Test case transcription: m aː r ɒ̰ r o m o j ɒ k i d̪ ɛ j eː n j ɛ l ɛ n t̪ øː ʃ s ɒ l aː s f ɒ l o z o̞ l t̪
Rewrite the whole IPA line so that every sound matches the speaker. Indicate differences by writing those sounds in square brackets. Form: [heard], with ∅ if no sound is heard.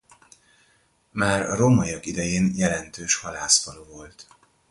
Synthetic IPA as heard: m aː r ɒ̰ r o m [ɒ] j ɒ k i d̪ ɛ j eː n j ɛ l ɛ n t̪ øː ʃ [h] ɒ l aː s f ɒ l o [v] o̞ l t̪